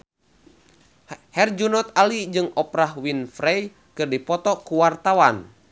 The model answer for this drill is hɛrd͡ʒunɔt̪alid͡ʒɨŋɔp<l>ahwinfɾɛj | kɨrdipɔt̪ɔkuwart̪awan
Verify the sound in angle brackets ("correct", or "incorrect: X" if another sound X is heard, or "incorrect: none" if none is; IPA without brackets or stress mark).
incorrect: ɾ